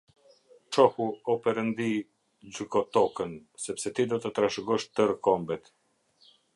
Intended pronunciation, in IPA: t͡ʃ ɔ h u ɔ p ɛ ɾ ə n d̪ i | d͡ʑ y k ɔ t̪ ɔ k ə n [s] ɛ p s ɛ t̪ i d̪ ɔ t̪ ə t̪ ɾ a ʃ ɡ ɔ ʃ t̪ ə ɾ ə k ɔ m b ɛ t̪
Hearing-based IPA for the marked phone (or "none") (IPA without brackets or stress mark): s